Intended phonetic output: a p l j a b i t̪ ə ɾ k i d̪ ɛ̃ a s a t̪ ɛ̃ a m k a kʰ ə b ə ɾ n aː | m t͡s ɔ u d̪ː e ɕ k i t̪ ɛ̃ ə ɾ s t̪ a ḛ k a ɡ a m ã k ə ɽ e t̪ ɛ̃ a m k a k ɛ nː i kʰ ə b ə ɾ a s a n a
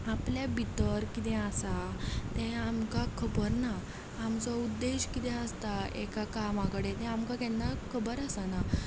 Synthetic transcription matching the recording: a p l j a b i t̪ ə ɾ k i t̪ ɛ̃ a s a t̪ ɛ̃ a m k a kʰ ə b ə ɾ n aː | m t͡s ɔ u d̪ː e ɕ k i t̪ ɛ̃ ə s t̪ a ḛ k a k a m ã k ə ɽ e t̪ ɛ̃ a m k a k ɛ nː a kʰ ə b ə ɾ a s a n a